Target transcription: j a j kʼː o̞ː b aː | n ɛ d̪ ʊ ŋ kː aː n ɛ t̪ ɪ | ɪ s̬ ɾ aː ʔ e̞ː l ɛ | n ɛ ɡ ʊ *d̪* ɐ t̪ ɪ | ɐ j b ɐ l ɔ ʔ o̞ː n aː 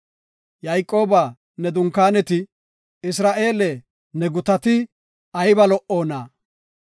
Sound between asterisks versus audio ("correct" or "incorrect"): incorrect